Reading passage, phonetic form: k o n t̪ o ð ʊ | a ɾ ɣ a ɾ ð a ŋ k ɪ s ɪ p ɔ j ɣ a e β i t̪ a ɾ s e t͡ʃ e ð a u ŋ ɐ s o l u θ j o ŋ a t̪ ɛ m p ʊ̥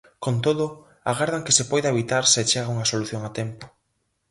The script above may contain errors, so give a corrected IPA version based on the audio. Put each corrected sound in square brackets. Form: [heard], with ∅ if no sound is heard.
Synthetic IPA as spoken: k o n t̪ o ð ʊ | a [∅] ɣ a ɾ ð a ŋ k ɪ s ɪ p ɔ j [ð] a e β i t̪ a ɾ s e t͡ʃ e [ɣ] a u ŋ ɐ s o l u θ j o ŋ a t̪ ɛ m p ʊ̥